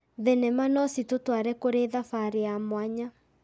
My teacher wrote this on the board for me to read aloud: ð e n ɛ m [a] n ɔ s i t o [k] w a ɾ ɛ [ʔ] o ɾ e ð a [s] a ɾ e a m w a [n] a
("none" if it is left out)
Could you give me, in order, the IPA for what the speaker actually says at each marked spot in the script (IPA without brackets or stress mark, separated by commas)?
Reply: a, t, k, f, ɲ